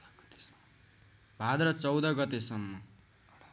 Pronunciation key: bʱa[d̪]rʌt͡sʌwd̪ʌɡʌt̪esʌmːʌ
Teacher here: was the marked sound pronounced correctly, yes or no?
yes